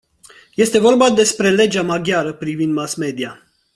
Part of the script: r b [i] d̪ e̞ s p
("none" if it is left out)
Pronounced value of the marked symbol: a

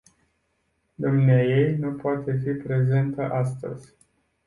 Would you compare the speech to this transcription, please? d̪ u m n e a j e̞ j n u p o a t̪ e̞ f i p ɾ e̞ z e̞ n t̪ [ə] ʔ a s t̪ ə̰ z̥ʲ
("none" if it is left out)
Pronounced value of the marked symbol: ə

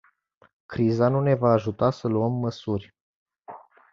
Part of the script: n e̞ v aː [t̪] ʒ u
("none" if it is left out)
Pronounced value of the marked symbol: none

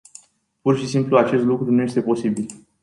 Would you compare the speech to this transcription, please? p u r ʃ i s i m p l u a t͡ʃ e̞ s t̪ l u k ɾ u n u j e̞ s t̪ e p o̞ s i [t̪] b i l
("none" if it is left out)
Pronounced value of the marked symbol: none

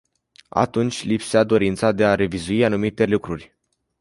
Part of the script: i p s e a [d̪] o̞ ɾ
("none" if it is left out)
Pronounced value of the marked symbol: d̪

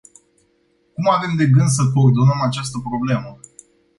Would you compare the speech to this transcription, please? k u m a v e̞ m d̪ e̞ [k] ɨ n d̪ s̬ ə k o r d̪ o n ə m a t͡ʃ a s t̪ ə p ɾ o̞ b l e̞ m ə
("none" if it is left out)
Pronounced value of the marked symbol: ɡ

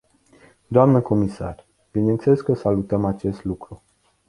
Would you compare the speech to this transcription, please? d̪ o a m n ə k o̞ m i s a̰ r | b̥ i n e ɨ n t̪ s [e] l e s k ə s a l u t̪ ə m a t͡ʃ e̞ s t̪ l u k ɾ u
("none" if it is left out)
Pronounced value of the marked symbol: e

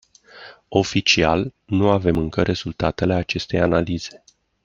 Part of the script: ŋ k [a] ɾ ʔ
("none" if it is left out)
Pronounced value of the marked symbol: ə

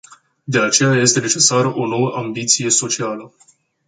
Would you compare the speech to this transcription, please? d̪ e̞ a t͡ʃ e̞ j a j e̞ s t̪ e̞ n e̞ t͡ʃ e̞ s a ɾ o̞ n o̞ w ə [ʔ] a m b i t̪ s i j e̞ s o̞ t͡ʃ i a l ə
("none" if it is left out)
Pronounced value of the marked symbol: ʔ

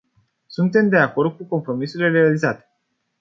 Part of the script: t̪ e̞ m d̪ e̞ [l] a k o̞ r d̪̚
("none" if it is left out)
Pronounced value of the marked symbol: none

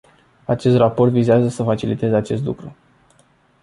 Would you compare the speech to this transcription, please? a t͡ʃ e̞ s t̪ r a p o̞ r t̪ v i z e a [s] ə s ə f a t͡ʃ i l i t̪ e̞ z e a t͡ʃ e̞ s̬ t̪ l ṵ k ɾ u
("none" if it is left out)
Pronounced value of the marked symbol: z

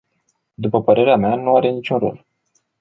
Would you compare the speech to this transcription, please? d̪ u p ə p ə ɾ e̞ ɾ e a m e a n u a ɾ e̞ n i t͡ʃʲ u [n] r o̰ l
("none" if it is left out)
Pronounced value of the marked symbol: n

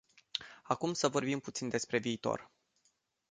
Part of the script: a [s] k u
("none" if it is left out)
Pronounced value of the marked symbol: none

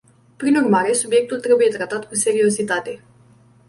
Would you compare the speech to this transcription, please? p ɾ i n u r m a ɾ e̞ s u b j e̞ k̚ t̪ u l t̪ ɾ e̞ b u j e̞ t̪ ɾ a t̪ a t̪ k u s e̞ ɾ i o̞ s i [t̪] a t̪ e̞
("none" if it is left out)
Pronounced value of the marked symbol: t̪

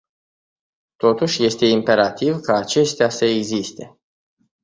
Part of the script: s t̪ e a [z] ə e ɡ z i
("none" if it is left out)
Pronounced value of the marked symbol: s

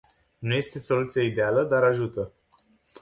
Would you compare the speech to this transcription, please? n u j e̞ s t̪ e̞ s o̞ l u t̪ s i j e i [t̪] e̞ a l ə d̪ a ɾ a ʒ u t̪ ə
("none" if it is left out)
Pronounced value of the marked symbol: d̪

